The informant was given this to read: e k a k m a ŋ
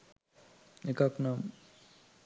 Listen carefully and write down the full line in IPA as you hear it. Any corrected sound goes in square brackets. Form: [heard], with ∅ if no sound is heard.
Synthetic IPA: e k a k [n] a [m]